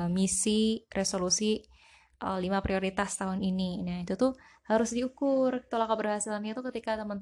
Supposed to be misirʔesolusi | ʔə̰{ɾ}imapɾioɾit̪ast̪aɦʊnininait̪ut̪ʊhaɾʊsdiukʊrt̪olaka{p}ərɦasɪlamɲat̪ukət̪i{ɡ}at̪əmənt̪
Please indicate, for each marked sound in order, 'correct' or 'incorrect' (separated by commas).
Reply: incorrect, incorrect, incorrect